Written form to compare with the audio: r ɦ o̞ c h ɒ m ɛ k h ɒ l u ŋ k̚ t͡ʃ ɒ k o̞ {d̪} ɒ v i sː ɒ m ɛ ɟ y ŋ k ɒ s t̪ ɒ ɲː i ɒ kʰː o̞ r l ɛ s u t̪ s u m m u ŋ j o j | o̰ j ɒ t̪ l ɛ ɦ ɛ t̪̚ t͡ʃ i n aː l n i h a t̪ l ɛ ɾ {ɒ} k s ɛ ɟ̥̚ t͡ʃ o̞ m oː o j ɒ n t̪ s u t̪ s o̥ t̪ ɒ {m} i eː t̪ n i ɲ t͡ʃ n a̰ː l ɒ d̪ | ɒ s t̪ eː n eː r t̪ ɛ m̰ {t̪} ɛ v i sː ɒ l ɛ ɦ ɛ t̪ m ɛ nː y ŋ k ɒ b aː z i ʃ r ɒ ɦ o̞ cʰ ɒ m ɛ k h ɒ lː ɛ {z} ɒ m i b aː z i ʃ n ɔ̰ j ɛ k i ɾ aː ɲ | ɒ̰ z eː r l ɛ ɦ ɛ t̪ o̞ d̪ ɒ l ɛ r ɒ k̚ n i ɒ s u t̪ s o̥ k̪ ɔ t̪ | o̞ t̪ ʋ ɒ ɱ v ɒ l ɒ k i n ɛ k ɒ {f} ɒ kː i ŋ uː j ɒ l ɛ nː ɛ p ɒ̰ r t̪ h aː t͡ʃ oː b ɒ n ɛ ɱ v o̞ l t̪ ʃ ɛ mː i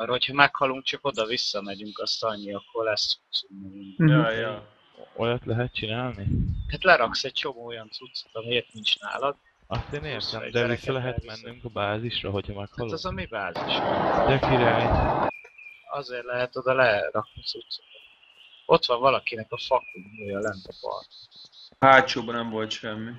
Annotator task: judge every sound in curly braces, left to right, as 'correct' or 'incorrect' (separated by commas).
correct, correct, correct, incorrect, correct, correct